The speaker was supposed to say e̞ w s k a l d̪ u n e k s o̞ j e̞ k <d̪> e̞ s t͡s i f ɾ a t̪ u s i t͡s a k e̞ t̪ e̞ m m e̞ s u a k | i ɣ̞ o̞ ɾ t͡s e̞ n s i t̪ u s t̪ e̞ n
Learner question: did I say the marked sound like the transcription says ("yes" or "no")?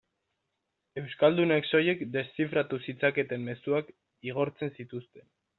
yes